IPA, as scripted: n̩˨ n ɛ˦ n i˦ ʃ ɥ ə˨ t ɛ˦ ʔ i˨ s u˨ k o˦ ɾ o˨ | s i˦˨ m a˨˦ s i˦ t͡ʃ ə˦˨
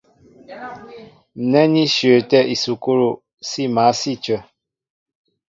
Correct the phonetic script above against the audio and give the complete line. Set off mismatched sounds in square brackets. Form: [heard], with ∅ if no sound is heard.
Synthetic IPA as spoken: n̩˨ n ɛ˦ n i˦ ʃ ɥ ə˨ t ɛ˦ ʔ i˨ s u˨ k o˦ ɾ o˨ | s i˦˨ m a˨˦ s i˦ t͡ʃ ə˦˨